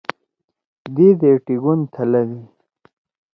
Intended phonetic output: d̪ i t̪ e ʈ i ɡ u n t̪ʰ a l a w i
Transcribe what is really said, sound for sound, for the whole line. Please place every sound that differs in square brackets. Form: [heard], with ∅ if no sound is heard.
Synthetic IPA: d̪ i [d̪] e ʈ i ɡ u n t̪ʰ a l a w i

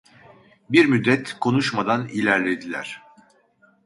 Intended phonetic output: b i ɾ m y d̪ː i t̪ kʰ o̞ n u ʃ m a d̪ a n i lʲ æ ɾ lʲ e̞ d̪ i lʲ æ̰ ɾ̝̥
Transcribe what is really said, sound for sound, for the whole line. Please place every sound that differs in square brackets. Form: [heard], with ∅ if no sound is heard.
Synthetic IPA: b i ɾ m y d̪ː [ɛ] t̪ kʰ o̞ n u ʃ m a d̪ a n i lʲ æ ɾ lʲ e̞ d̪ i lʲ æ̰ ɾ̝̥

